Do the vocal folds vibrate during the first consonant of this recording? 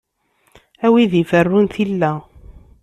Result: yes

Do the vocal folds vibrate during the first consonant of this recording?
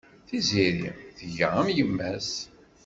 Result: no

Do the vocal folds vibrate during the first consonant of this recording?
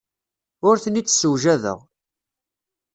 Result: yes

